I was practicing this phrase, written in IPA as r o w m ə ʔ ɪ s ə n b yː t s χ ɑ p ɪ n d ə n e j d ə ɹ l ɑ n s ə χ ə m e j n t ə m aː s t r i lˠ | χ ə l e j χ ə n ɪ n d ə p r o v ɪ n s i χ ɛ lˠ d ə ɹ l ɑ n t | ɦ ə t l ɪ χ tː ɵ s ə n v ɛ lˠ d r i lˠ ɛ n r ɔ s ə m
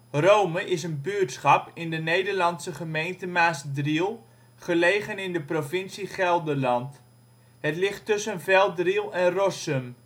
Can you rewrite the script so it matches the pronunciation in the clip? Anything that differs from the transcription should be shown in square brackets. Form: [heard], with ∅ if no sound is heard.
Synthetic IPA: r o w m ə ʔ ɪ s ə n b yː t s χ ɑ p ɪ n d ə n e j d ə ɹ l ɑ n s ə χ ə m e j n t ə m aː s [d] r i lˠ | χ ə l e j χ ə n ɪ n d ə p r o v ɪ n s i χ ɛ lˠ d ə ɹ l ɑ n t | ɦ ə t l ɪ χ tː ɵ s ə n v ɛ lˠ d r i lˠ ɛ n r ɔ s ə m